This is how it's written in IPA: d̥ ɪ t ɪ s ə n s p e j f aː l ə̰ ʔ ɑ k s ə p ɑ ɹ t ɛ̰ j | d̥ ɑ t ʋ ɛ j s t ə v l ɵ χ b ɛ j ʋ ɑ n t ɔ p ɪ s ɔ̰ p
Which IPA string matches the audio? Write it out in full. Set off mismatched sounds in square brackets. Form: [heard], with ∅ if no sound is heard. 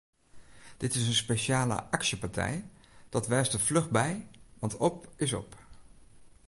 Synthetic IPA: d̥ ɪ t ɪ s ə n s p e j [ʃ] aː l ə̰ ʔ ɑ k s ə p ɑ ɹ t ɛ̰ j | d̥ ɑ t ʋ ɛ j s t ə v l ɵ χ b ɛ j ʋ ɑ n t ɔ p ɪ s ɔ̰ p

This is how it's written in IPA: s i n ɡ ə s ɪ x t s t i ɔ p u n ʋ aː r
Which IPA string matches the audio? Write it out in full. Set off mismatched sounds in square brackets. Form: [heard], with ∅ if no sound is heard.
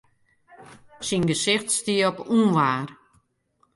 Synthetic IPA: s i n ɡ ə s ɪ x t s t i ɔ p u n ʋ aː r

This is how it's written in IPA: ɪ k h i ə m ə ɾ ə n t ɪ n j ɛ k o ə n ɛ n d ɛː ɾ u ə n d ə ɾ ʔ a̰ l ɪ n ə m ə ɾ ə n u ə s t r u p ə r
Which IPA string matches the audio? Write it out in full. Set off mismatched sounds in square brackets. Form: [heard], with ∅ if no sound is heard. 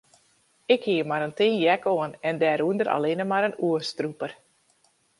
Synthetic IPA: ɪ k h i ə m [a] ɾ ə n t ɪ n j ɛ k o ə n ɛ n d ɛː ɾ u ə n d ə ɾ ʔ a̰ l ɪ n ə m [a] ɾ ə n u ə s t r u p ə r

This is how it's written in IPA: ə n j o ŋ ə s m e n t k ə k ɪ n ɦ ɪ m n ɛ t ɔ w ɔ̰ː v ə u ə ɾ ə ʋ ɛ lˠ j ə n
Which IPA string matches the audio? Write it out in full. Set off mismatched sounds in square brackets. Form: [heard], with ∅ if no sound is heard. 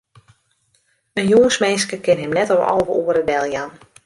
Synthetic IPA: ə n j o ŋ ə s m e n [s] k ə k ɪ n ɦ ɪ m n ɛ t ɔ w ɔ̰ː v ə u ə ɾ ə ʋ ɛ lˠ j [a] n

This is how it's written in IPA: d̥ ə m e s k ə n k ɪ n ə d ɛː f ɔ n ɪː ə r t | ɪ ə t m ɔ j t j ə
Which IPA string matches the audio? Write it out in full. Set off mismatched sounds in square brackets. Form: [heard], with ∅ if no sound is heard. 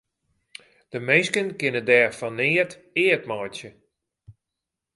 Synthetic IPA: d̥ ə m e s k ə n k ɪ n ə d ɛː f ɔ n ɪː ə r t | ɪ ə t m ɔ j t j ə

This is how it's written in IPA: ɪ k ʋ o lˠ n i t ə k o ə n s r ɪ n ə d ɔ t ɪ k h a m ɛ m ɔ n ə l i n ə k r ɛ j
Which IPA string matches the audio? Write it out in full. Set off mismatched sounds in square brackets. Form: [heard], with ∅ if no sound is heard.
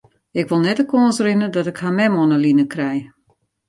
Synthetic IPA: ɪ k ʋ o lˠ n [ɛ] t ə k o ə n s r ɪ n ə d ɔ t ɪ k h a m ɛ m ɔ n ə l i n ə k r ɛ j

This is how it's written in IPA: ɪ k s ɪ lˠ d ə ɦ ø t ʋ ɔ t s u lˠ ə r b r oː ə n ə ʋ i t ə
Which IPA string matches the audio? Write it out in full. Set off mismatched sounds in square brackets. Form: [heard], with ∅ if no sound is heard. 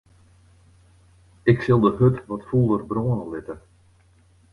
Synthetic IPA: ɪ k s ɪ lˠ d ə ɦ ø t ʋ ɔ t [f] u lˠ ə r b r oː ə n ə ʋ [ɪ] t ə

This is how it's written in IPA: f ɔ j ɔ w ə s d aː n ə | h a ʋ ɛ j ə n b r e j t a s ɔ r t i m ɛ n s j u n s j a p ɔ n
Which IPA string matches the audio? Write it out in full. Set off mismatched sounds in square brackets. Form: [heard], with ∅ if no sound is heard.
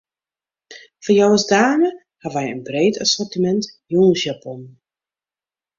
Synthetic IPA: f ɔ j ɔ w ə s d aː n ə | h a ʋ ɛ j ə n b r e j t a s ɔ r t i m ɛ n [t] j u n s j a p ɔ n

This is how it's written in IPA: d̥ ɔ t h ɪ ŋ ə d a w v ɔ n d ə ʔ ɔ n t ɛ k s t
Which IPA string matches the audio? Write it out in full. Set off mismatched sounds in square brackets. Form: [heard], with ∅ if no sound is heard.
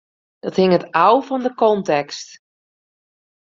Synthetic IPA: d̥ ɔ t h ɪ ŋ ə [t] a w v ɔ n d ə [k] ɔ n t ɛ k s t

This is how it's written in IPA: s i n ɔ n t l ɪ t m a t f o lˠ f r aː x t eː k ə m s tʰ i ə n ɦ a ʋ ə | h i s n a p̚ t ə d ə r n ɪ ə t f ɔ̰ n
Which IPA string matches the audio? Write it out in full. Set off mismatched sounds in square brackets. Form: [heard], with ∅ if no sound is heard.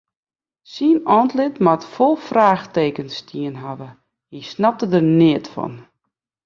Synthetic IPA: s i n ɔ n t l ɪ t m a t f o lˠ f r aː x t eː k ə [n] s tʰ i ə n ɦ a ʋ ə | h i s n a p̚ t ə d ə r n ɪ ə t f ɔ̰ n

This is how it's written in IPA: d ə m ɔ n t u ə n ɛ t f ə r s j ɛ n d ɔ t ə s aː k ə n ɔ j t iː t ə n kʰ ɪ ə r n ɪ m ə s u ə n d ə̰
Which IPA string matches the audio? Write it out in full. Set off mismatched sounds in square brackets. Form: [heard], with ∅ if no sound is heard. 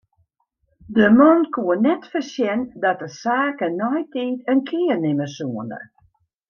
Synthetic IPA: d ə m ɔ n [k] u ə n ɛ t f ə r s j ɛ n d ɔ t ə s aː k ə n ɔ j t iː t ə n kʰ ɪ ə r n ɪ m ə s u ə n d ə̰

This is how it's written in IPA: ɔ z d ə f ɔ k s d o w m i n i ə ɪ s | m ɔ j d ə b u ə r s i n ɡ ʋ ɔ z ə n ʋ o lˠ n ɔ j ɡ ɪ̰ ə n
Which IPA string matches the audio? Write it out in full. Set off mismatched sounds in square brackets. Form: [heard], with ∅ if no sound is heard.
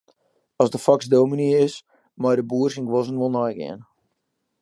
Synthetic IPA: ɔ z d ə f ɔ k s d o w m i n i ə ɪ s | m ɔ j d ə b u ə r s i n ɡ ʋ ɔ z ə n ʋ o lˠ n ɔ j ɡ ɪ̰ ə n

